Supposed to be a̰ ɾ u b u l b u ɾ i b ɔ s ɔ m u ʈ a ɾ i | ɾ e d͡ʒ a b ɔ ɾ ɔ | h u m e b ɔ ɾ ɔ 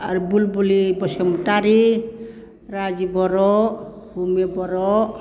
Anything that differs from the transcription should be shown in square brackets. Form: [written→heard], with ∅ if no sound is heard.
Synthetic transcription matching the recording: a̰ ɾ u b u l b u [ɾ→l] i b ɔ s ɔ m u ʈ a ɾ i | ɾ [e→a] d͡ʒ [a→i] b ɔ ɾ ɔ | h u m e b ɔ ɾ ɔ